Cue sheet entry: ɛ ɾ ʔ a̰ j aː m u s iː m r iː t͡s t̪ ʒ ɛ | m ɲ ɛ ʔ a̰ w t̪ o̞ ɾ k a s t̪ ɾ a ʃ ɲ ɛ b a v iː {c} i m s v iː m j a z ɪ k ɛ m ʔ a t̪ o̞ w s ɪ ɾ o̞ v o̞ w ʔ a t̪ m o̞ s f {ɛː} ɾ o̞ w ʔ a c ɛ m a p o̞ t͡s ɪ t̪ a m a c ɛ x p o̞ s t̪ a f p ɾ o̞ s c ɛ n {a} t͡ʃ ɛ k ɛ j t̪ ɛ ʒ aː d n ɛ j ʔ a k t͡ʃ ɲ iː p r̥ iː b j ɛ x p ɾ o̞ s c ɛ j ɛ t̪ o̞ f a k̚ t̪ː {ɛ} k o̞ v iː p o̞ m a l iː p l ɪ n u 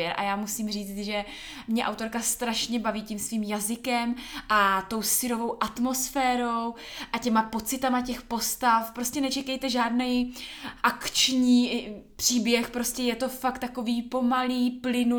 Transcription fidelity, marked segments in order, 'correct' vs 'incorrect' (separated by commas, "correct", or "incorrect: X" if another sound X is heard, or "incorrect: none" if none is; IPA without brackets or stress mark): correct, correct, incorrect: ɛ, incorrect: a